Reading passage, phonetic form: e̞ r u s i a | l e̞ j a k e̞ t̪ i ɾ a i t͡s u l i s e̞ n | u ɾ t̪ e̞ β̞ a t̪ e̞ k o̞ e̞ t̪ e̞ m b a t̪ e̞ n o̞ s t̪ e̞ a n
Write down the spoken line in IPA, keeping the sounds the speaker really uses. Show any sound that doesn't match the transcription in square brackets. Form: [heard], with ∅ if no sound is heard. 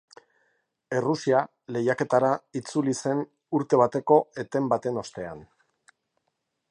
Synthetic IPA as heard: e̞ r u s i a | l e̞ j a k e̞ t̪ [a] ɾ a i t͡s u l i s e̞ n | u ɾ t̪ e̞ β̞ a t̪ e̞ k o̞ e̞ t̪ e̞ m b a t̪ e̞ n o̞ s t̪ e̞ a n